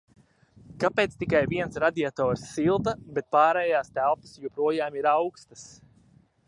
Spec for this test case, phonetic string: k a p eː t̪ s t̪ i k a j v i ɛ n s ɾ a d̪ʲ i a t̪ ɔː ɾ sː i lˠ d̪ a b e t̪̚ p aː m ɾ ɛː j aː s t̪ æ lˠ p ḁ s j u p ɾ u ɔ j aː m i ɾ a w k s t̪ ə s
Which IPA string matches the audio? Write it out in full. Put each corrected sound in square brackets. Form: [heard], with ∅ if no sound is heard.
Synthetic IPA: k a p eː t̪ s t̪ i k a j v i ɛ n s ɾ a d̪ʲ i a t̪ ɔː ɾ sː i lˠ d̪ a b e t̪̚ p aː [∅] ɾ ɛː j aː s t̪ æ lˠ p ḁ s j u p ɾ u ɔ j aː m i ɾ a w k s t̪ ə s